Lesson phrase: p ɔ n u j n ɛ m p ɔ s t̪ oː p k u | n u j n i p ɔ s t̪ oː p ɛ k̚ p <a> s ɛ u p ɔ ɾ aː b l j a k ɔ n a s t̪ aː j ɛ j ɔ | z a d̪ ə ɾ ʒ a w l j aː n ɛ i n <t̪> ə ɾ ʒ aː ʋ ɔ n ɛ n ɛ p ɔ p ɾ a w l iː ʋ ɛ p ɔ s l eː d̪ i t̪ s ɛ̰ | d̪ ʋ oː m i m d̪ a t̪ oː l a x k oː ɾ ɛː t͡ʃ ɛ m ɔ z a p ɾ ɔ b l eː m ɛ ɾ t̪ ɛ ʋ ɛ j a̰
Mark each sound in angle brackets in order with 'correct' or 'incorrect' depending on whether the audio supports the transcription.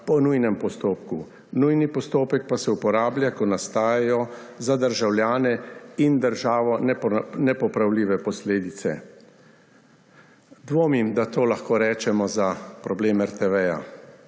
correct, incorrect: d̪

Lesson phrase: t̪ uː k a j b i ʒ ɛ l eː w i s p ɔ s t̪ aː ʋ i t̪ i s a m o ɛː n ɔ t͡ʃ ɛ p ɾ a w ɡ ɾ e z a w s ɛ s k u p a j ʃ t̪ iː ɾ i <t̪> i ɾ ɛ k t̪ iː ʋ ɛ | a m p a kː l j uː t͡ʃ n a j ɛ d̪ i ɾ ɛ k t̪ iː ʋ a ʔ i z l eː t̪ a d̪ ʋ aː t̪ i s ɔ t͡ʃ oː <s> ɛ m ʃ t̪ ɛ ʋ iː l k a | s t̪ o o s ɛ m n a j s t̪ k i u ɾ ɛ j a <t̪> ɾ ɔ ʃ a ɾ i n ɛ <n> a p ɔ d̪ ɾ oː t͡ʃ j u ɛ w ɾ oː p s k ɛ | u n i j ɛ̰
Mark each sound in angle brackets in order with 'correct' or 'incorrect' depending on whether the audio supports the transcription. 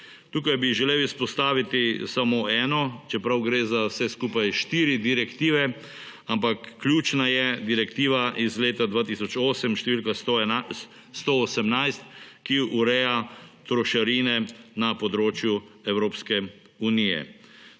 incorrect: d̪, correct, correct, correct

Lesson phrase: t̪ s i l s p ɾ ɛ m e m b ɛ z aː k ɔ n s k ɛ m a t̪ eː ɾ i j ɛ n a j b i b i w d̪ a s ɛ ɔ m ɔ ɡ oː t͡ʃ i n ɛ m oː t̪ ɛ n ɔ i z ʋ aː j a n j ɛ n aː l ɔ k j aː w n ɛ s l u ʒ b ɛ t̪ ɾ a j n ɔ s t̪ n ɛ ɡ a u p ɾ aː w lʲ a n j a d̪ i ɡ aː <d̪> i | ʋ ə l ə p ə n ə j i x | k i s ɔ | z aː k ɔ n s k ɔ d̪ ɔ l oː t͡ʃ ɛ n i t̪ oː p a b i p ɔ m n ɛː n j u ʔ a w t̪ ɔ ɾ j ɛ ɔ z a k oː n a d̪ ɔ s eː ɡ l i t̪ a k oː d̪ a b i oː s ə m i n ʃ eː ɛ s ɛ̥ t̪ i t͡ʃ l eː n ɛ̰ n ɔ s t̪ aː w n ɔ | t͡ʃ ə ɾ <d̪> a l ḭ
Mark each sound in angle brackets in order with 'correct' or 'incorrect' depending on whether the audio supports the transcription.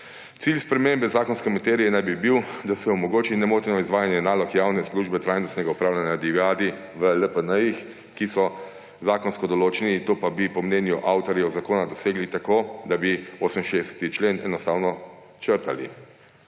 correct, incorrect: t̪

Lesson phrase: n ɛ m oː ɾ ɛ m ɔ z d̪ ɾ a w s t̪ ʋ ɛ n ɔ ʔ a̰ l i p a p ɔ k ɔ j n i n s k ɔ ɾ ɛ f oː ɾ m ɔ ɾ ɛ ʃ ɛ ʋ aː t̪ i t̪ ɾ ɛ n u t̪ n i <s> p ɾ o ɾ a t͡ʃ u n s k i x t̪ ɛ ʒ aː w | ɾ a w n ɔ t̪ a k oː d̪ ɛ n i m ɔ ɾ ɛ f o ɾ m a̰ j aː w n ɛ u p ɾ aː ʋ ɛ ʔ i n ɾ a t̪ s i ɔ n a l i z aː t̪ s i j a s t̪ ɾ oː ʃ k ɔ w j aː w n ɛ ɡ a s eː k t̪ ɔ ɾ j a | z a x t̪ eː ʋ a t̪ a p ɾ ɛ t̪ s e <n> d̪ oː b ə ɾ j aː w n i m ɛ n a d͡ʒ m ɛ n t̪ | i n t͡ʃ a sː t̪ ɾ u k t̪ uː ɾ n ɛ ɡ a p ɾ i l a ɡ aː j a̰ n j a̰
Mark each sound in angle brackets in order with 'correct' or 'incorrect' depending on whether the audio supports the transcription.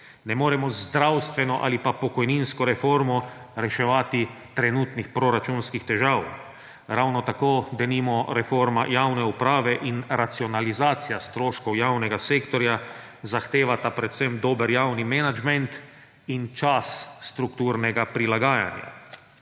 incorrect: x, incorrect: m

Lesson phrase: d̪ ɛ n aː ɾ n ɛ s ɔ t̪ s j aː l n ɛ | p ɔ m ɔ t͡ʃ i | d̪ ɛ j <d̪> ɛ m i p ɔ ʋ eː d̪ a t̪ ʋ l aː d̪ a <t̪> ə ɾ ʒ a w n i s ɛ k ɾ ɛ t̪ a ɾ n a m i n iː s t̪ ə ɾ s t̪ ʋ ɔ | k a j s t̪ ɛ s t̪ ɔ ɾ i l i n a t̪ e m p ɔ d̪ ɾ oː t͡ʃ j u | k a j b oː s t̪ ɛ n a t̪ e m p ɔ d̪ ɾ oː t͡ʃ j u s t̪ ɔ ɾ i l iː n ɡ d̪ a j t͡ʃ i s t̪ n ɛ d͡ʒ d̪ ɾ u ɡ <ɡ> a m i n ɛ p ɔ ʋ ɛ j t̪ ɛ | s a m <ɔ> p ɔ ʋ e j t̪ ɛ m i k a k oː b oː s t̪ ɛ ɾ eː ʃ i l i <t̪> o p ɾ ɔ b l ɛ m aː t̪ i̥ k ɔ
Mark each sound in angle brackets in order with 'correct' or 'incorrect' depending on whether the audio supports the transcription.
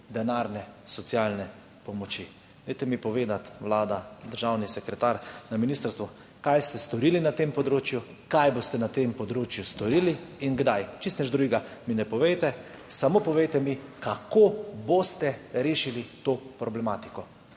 incorrect: t̪, incorrect: d̪, correct, incorrect: o, correct

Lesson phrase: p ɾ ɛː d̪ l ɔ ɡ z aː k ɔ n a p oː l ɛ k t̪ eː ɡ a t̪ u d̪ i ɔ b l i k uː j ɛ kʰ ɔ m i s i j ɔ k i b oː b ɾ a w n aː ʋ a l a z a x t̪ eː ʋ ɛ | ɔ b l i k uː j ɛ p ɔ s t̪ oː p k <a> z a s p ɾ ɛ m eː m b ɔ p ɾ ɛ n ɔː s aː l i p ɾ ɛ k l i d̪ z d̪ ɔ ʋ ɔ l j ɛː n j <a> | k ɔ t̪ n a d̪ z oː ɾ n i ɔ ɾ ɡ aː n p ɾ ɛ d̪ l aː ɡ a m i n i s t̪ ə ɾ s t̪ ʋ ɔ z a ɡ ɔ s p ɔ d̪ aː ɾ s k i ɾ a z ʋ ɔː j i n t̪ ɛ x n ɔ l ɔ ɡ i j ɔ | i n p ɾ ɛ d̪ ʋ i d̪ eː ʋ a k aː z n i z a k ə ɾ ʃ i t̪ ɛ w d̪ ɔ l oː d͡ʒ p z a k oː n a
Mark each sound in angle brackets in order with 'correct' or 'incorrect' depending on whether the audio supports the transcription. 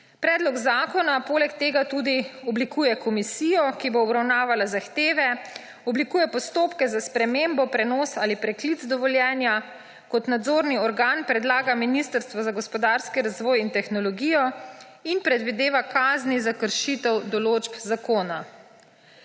incorrect: ɛ, correct

